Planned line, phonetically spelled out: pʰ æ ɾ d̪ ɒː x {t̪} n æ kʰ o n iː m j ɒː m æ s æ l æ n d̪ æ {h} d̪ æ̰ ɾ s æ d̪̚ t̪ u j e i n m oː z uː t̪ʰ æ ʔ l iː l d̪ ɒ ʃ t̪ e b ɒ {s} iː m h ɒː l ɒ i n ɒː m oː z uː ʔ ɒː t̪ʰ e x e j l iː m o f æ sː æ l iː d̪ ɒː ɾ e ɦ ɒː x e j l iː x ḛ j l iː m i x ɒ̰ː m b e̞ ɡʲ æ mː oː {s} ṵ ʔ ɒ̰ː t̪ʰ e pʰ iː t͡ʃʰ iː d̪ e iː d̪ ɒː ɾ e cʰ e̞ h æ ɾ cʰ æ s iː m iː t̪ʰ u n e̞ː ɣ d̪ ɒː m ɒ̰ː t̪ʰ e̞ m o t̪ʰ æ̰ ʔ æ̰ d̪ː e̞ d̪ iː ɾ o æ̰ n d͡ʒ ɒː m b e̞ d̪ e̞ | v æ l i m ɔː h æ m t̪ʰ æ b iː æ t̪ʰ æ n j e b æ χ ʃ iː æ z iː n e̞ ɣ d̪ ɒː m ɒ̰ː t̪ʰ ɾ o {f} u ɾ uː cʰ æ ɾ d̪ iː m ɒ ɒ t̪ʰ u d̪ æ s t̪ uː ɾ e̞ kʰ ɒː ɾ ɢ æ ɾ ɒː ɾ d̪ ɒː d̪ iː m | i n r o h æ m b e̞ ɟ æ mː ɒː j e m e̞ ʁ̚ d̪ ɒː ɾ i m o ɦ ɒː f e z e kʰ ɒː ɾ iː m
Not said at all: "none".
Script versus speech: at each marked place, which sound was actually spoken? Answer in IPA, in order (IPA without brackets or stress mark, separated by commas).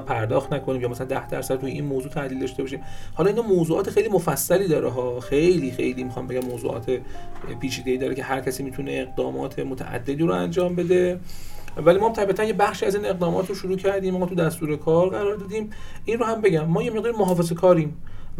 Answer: t̪, h, ʃ, z, ʃ